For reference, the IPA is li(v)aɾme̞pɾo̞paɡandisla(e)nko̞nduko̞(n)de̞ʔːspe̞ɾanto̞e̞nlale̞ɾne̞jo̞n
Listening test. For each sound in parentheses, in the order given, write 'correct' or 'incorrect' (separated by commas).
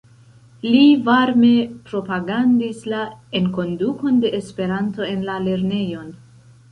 correct, correct, correct